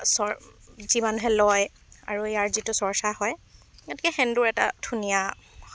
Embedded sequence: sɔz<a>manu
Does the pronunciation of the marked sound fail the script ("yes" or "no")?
yes